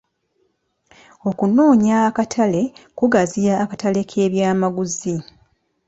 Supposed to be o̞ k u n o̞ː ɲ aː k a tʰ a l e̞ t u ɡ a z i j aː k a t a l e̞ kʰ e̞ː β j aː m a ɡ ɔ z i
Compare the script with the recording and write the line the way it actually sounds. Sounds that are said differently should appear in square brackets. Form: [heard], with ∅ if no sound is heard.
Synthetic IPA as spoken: o̞ k u n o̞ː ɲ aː k a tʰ a l e̞ [k] u ɡ a z i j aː k a t a l e̞ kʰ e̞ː β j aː m a ɡ [u] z i

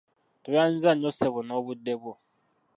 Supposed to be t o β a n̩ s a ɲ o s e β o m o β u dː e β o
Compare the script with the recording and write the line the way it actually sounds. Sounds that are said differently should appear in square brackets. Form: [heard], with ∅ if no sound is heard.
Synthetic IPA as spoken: t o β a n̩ [z] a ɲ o s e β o [n] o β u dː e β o

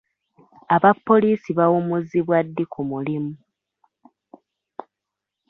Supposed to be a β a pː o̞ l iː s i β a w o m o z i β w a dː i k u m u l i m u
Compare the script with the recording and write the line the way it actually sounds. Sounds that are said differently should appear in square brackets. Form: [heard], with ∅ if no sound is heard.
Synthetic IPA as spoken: a β a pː o̞ l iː s i β a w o m [u] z i β w a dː i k u m u l i m u

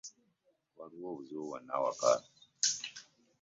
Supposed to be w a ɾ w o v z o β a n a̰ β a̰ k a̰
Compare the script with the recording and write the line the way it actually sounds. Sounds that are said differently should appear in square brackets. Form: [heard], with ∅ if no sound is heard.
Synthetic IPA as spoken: w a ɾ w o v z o [w] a n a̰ [w] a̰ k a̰

